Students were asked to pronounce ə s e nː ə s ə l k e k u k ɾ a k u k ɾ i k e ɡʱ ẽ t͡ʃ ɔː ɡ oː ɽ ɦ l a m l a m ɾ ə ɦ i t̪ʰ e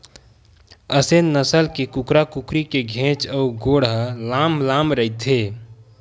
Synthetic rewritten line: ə s e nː ə s ə l k e k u k ɾ a k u k ɾ i k e ɡʱ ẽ t͡ʃ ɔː ɡ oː ɽ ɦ l a m l a m ɾ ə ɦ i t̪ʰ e